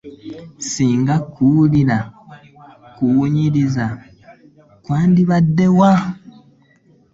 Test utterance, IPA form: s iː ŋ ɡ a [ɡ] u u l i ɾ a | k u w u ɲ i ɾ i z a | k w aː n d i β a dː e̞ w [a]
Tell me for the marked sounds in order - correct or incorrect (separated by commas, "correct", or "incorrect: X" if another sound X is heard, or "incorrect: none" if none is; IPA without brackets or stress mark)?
incorrect: k, correct